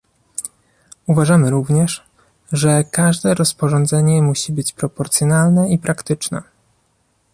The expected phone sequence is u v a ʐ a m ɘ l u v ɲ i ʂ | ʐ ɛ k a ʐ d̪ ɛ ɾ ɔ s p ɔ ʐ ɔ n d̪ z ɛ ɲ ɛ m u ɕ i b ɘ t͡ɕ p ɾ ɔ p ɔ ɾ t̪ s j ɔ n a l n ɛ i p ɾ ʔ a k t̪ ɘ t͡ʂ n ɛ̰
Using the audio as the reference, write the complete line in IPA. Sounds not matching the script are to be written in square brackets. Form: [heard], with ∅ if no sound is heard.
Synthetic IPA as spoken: u v a ʐ a m ɘ [ɾ] u v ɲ [ɛ] ʂ | ʐ ɛ k a ʐ d̪ ɛ ɾ ɔ s p ɔ ʐ ɔ n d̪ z ɛ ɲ ɛ m u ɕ i b ɘ t͡ɕ p ɾ ɔ p ɔ ɾ t̪ s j ɔ n a l n ɛ i p ɾ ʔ a k t̪ ɘ t͡ʂ n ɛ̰